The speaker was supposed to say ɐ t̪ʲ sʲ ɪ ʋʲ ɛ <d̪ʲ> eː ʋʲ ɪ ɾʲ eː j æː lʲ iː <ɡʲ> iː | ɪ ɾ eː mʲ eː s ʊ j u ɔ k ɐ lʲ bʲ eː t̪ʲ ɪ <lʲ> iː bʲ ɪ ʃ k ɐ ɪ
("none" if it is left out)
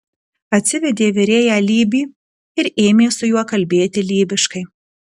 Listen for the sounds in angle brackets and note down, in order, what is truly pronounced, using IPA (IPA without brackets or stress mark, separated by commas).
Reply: d̪ʲ, bʲ, lʲ